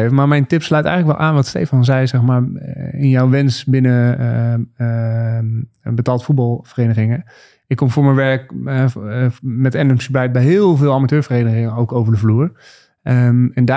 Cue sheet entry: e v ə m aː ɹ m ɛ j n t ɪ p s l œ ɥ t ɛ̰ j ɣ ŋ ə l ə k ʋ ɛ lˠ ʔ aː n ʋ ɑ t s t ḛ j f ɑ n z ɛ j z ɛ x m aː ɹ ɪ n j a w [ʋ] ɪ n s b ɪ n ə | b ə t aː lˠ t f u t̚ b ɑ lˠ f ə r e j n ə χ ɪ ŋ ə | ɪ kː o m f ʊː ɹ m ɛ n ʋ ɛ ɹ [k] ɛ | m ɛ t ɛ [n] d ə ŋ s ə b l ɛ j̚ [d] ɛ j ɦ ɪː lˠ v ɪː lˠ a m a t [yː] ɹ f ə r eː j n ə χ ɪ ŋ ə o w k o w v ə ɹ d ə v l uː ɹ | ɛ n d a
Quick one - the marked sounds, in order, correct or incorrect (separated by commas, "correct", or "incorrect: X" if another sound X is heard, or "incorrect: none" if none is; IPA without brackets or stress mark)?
correct, correct, correct, incorrect: b, incorrect: øː